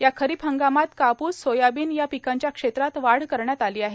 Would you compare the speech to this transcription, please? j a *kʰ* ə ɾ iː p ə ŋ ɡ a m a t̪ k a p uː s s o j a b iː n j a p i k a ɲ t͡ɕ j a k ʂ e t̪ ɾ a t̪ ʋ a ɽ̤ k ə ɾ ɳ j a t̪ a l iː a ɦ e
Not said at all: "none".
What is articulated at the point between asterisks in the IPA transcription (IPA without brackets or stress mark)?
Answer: kʰ